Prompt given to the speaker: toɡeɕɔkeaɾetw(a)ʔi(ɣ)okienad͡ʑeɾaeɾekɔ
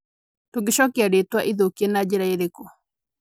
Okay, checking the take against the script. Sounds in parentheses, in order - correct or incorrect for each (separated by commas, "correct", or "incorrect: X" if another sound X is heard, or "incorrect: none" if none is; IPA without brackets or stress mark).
correct, incorrect: ð